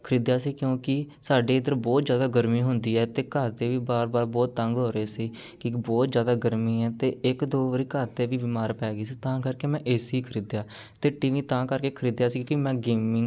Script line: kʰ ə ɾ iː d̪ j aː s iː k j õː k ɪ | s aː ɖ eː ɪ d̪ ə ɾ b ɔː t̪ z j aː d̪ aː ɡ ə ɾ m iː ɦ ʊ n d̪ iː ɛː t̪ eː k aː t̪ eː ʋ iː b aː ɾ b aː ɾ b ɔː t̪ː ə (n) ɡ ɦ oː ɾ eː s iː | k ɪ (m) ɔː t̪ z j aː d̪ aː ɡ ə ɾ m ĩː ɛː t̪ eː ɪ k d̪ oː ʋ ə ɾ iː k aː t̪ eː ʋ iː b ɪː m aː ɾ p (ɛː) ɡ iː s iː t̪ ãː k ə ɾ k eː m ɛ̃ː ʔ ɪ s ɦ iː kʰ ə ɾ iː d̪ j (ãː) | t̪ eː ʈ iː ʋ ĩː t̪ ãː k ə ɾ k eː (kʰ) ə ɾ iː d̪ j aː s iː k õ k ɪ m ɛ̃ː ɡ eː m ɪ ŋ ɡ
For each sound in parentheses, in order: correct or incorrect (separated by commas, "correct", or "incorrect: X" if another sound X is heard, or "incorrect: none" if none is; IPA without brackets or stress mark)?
incorrect: ŋ, incorrect: b, correct, incorrect: aː, correct